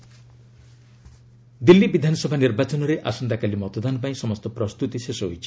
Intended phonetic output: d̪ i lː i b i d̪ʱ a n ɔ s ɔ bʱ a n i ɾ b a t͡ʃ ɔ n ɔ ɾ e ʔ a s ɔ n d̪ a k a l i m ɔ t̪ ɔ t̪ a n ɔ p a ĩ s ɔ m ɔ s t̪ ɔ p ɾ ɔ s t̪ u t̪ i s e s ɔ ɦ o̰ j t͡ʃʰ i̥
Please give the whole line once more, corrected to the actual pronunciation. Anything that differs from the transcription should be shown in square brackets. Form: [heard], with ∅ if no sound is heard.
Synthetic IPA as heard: d̪ i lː i b i d̪ʱ a n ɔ s ɔ bʱ a n i ɾ b a t͡ʃ ɔ n ɔ ɾ e ʔ a s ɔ n d̪ a k a l i m ɔ t̪ ɔ [d̪] a n ɔ p a ĩ s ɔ m ɔ s t̪ ɔ p ɾ ɔ s t̪ u t̪ i s e s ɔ ɦ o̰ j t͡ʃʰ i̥